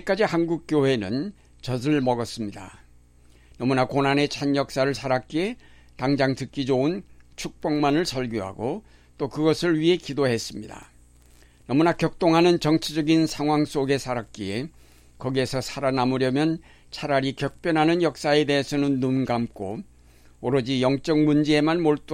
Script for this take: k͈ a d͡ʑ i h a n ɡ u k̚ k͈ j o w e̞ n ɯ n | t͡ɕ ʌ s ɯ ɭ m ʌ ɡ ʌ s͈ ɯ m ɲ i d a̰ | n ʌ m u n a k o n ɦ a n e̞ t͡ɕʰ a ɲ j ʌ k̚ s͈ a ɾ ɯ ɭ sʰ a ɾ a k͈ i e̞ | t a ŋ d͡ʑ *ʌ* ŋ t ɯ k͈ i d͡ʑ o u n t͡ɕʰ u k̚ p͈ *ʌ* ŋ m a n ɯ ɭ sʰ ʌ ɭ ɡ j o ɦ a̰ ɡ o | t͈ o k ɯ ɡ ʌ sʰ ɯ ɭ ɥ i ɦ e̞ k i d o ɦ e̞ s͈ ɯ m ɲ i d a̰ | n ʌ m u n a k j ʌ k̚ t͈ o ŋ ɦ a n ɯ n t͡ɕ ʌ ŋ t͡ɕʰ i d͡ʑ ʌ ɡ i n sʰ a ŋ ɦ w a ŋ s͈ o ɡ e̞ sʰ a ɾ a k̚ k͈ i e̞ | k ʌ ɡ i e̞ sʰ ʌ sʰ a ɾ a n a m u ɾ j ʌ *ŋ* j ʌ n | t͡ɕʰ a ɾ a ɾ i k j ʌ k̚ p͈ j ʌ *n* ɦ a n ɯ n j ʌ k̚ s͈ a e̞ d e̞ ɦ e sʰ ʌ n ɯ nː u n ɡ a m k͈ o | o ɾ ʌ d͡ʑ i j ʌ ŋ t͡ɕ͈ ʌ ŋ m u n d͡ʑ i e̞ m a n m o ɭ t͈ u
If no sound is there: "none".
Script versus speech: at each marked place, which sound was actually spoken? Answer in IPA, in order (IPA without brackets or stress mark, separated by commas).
a, ʌ, m, n